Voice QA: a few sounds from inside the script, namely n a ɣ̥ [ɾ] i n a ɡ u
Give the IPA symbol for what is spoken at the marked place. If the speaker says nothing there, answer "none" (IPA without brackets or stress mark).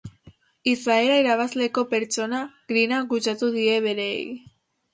ɾ